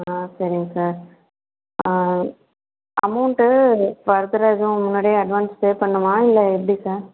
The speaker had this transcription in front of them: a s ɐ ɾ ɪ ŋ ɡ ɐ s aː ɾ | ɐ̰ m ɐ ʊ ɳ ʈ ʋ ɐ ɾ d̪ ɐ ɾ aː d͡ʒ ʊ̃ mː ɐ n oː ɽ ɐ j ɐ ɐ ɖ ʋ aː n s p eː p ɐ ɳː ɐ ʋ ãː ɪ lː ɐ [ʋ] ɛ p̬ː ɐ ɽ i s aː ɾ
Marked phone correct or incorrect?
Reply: incorrect